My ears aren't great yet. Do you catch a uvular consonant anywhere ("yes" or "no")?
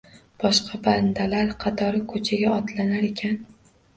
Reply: yes